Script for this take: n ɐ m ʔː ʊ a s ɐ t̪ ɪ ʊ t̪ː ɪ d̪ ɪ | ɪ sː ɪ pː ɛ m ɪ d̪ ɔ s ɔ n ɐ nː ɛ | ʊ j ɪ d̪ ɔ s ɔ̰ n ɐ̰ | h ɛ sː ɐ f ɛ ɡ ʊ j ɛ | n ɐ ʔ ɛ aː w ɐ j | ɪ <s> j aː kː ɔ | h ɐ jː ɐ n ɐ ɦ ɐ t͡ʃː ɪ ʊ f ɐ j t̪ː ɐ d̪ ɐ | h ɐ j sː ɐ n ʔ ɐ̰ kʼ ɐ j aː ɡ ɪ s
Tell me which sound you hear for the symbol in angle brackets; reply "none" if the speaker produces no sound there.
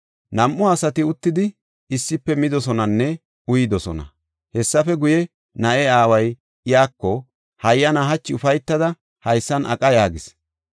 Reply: none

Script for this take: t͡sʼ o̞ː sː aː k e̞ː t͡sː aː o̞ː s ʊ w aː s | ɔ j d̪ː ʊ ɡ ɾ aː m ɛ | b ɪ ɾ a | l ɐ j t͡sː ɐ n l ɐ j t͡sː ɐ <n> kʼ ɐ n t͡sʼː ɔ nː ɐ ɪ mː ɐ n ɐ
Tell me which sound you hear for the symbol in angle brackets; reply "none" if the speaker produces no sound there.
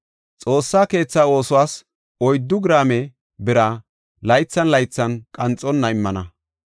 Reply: n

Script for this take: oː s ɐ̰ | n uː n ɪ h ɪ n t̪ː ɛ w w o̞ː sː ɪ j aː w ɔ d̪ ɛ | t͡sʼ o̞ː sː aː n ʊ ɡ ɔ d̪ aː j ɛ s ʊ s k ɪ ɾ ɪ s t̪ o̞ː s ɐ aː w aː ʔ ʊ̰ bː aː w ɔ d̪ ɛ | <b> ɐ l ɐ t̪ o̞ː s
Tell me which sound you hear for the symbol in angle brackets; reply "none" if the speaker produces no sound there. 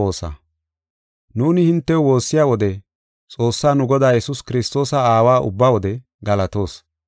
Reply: ɡ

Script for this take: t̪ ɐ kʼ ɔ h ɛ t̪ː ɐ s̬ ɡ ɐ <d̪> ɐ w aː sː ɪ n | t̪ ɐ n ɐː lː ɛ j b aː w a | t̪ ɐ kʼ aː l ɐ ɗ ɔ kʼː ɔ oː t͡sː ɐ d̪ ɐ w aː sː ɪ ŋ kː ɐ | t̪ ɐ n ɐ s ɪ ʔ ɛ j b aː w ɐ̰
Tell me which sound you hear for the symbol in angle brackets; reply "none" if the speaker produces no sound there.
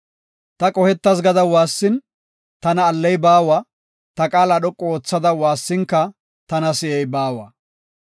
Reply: d̪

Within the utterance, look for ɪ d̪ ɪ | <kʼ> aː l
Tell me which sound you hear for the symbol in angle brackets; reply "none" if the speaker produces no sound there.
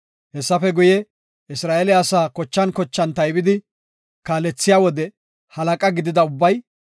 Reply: k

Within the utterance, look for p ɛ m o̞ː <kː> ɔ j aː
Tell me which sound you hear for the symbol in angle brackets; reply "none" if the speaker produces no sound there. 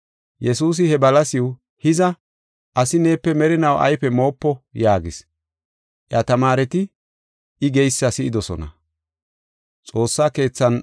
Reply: pː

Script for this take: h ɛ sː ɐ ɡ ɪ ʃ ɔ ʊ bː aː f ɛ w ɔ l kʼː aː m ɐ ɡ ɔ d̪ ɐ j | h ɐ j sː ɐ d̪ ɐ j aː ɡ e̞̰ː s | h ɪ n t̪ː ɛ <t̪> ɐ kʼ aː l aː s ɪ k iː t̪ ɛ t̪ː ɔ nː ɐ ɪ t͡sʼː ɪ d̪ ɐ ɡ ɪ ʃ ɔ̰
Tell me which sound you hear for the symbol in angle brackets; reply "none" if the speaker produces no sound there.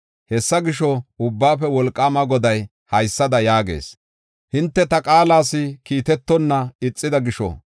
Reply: t̪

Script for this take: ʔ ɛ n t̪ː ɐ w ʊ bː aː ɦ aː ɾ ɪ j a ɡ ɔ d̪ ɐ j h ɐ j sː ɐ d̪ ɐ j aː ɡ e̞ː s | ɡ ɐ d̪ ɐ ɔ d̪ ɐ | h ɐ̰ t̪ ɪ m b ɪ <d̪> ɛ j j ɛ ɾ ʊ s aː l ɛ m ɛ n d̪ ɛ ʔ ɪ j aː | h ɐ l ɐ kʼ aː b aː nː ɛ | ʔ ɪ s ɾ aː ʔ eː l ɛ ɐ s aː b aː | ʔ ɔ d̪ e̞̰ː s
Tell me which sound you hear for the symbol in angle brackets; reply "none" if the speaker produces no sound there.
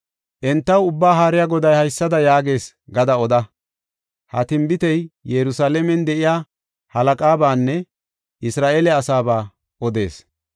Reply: t̪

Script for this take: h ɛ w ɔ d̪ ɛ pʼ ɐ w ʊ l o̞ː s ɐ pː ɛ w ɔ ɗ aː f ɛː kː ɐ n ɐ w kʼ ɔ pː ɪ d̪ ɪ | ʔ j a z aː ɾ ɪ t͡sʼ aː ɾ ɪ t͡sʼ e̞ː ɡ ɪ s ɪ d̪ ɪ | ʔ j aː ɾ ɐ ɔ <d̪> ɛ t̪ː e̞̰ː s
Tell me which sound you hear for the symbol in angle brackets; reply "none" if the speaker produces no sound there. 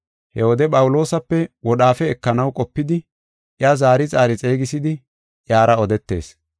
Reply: d̪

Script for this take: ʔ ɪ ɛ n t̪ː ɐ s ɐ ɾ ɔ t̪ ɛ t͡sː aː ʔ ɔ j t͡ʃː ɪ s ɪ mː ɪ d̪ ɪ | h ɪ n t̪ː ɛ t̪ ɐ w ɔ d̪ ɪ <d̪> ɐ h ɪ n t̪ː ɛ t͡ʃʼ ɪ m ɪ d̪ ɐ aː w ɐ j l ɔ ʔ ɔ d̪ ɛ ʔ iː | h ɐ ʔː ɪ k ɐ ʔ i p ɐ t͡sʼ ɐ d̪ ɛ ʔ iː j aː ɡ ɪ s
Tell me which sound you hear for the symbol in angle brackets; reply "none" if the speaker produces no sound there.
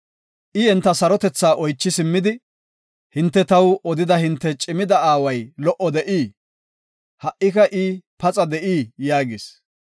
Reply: d̪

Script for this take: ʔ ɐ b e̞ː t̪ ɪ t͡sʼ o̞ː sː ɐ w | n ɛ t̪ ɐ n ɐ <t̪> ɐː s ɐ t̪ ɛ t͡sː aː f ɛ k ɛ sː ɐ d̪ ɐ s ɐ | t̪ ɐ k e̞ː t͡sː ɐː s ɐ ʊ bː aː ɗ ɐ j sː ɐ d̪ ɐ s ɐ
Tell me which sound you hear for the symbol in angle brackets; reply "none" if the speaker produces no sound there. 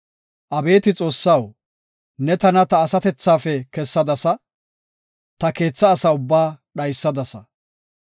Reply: t̪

